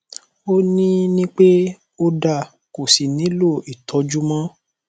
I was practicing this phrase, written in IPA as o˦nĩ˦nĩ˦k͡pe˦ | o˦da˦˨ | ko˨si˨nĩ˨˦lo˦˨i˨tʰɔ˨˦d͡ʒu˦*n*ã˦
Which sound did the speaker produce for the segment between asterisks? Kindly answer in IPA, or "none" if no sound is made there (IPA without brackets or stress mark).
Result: m